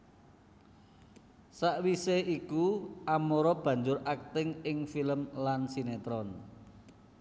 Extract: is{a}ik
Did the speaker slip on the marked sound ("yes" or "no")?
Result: yes